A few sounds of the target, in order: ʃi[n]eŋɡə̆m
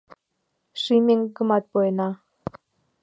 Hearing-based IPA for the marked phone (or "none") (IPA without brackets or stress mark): m